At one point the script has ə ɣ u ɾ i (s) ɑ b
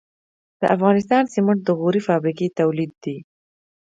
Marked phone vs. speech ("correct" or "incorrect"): incorrect